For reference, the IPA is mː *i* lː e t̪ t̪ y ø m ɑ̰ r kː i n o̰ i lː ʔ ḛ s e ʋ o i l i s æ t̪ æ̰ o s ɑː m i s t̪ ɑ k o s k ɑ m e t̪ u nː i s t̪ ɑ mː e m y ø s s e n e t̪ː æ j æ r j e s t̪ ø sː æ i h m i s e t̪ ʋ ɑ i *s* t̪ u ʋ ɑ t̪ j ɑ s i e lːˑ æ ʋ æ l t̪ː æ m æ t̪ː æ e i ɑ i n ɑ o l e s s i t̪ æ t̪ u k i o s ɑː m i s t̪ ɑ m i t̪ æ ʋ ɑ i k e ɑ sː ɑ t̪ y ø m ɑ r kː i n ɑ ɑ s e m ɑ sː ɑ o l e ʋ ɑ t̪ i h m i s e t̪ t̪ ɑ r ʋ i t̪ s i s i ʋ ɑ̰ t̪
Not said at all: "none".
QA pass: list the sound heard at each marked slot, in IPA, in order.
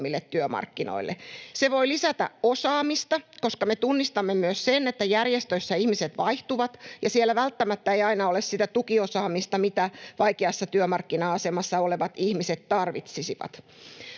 i, h

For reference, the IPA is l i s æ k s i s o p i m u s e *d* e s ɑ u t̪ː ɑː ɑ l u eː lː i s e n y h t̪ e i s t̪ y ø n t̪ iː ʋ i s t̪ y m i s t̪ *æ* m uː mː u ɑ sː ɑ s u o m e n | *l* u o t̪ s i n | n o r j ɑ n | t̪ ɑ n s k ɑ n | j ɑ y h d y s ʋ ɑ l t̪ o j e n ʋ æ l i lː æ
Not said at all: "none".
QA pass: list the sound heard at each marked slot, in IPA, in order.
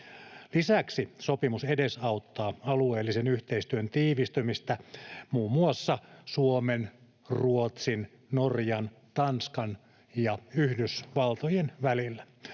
d, æ, r

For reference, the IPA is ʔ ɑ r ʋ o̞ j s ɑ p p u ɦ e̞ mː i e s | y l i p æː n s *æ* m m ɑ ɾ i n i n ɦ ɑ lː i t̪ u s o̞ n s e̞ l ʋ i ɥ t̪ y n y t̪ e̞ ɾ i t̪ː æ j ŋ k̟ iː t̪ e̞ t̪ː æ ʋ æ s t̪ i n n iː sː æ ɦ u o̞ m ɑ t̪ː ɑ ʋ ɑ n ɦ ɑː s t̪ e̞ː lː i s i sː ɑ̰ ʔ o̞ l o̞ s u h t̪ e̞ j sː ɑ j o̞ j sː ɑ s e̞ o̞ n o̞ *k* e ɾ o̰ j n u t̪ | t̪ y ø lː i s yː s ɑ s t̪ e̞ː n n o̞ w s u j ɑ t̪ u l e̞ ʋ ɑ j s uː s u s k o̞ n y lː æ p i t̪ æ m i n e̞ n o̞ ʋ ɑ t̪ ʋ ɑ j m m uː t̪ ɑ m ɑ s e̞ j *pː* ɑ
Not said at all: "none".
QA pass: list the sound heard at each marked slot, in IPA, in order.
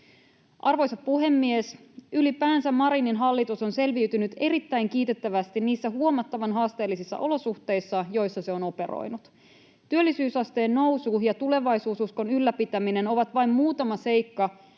æ, p, kː

